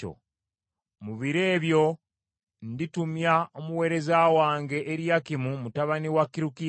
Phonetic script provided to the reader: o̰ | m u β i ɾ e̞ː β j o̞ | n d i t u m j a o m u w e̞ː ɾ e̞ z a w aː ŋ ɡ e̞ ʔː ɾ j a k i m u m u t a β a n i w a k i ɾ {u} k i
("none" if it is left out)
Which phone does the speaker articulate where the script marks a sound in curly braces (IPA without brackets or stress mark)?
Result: u